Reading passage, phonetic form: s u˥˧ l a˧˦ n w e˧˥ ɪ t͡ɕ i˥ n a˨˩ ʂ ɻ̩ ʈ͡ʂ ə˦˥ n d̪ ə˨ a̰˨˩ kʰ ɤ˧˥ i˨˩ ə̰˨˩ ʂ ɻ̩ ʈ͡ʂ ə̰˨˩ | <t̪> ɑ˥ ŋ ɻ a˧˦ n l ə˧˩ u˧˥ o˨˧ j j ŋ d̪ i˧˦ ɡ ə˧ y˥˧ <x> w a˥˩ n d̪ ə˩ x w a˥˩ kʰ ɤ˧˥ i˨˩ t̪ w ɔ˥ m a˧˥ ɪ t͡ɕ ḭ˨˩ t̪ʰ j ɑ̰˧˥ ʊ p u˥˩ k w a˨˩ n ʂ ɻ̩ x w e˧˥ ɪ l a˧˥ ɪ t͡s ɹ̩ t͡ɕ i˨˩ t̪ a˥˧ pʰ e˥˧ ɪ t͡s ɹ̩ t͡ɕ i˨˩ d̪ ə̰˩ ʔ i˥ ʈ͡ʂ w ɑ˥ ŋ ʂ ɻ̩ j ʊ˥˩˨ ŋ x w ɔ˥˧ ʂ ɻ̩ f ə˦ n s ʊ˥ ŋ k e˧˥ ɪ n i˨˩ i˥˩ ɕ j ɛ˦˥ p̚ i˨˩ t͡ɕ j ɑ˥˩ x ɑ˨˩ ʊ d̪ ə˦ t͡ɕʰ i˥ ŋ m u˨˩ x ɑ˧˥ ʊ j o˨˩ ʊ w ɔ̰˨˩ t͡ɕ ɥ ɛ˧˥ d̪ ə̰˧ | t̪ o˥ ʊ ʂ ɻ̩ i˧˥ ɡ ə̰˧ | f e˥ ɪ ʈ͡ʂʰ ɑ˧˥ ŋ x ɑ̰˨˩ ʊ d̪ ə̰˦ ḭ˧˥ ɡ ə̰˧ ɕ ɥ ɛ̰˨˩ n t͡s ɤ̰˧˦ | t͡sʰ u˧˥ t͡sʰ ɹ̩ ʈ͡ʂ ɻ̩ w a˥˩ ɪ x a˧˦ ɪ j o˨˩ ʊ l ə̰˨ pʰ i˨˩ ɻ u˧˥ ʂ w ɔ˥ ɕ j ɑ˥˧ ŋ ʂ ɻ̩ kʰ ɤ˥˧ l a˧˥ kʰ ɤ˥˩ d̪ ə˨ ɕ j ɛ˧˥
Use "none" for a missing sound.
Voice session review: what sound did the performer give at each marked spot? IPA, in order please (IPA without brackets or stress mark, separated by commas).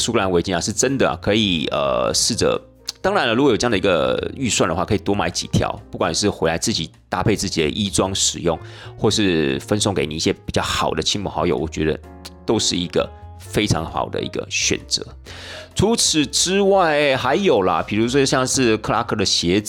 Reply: t̪, s